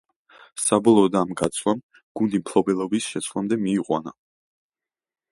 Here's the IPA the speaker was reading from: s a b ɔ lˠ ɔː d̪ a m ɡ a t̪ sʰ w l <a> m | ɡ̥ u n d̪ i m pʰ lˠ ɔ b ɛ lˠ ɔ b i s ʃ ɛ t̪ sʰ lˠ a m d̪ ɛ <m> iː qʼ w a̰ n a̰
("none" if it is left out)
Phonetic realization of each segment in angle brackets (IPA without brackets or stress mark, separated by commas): a, m